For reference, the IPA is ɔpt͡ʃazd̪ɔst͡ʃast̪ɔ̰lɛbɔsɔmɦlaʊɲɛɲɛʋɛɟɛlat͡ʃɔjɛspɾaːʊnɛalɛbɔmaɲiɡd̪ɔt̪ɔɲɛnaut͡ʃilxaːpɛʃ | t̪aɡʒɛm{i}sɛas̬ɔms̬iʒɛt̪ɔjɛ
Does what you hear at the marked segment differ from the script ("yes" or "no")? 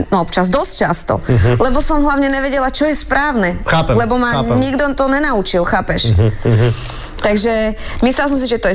no